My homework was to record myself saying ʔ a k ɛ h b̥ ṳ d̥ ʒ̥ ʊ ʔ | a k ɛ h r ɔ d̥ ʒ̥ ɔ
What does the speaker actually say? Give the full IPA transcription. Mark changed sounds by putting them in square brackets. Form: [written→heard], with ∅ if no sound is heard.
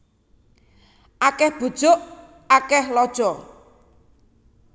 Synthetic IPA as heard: ʔ a k ɛ h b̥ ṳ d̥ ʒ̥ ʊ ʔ | a k ɛ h [r→l] ɔ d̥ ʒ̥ ɔ